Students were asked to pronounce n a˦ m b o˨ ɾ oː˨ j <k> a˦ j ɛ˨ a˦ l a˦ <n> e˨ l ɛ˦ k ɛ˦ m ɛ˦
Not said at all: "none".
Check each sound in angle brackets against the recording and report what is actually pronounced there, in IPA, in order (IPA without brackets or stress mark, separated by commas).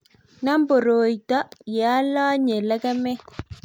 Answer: t, ɲ